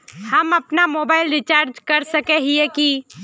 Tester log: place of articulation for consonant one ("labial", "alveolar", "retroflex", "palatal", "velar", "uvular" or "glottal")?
glottal